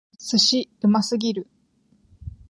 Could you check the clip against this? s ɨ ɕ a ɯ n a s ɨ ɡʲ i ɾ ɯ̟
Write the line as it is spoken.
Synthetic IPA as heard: s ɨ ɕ i ɯ m a s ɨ ɡʲ i ɾ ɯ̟